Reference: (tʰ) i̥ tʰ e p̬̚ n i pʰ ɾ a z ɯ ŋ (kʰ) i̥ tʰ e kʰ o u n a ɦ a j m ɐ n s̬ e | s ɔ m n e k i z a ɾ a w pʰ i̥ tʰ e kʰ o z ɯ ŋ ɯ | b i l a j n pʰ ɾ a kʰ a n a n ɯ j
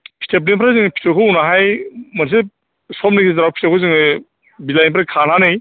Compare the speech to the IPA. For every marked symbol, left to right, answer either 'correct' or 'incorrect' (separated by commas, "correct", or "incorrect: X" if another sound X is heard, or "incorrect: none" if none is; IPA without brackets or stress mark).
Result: incorrect: pʰ, incorrect: pʰ